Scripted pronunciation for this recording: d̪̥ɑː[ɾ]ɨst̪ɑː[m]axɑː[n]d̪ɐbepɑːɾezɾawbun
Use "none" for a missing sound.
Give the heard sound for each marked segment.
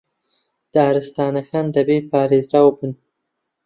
ɾ, n, n

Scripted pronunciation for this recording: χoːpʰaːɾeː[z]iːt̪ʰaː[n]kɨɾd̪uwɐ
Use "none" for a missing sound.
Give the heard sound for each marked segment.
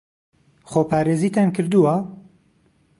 z, n

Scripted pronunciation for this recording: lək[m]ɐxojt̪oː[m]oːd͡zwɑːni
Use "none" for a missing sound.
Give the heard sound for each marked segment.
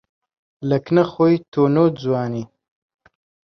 n, n

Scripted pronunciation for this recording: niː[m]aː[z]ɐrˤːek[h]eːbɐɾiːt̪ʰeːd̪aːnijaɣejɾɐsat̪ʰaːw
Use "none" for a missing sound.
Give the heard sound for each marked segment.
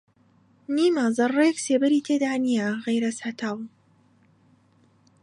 m, z, s

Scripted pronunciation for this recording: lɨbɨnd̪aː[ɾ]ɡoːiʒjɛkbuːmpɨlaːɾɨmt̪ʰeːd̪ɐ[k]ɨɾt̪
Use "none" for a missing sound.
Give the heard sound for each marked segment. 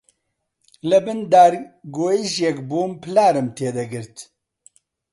ɾ, ɡ

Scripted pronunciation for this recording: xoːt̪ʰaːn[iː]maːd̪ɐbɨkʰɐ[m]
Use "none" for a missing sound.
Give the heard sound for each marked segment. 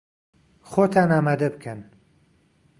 aː, n

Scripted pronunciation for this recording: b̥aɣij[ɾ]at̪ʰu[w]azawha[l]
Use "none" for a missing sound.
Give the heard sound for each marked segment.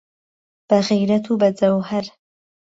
ɾ, b, ɾ

